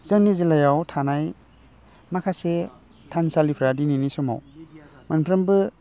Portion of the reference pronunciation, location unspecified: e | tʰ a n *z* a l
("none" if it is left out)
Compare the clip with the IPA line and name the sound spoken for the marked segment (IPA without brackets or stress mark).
s